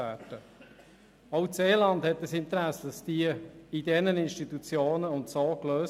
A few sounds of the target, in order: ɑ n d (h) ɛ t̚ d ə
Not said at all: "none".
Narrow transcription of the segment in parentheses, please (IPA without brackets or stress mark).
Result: h